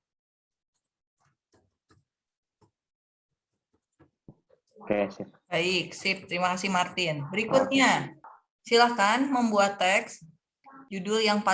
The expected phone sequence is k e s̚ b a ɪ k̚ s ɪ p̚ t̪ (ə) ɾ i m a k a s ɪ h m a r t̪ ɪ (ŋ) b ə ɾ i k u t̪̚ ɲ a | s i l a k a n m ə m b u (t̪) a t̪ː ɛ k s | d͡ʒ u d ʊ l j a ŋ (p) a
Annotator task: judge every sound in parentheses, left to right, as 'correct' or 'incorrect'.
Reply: correct, incorrect: n, incorrect: none, correct

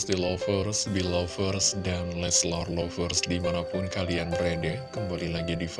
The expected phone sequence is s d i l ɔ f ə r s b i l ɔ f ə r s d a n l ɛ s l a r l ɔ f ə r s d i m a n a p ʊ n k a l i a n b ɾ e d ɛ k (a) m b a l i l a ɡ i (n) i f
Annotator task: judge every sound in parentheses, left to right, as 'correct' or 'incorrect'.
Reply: incorrect: ə, incorrect: d

